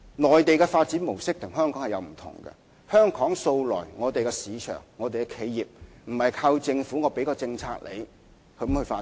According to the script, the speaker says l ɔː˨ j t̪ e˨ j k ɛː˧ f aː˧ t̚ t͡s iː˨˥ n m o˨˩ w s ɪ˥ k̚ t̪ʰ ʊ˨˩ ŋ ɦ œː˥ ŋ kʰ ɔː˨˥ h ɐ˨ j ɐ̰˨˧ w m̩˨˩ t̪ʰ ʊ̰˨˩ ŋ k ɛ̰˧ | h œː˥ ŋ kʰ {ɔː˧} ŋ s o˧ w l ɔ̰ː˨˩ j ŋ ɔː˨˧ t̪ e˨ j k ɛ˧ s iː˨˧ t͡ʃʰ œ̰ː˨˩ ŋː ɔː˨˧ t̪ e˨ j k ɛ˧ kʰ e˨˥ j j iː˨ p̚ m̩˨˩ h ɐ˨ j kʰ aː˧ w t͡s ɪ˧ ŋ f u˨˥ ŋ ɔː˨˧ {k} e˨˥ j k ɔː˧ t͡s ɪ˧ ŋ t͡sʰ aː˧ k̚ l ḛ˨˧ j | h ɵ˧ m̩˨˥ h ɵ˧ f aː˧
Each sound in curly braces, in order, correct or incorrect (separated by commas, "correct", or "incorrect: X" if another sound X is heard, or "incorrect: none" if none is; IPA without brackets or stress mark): incorrect: ɔː˨˥, incorrect: p